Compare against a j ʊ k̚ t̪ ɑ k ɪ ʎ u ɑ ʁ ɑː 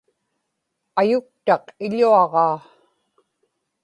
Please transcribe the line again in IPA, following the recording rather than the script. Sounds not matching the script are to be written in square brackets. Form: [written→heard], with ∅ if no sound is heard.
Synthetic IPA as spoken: a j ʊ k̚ t̪ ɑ [k→q] ɪ ʎ u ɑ ʁ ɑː